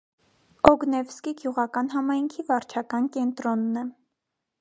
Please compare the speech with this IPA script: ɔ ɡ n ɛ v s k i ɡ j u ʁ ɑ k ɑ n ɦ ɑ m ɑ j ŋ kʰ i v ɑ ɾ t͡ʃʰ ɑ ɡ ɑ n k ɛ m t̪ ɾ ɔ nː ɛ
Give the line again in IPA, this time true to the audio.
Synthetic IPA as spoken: ɔ ɡ n ɛ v s k i ɡ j u ʁ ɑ k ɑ n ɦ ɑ m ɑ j ŋ kʰ i v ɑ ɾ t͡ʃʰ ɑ k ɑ n k ɛ n t̪ ɾ ɔ nː ɛ